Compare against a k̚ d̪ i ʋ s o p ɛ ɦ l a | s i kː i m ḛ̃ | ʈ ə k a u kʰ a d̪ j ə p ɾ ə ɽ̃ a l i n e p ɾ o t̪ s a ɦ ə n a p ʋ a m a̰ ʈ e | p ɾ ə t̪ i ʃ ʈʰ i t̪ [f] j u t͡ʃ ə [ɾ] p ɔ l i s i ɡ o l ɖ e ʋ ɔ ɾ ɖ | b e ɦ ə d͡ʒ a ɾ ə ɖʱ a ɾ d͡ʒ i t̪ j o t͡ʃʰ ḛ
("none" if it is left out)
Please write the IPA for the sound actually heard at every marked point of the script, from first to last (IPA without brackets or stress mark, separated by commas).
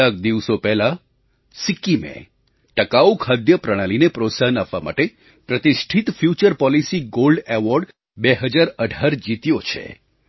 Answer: f, ɾ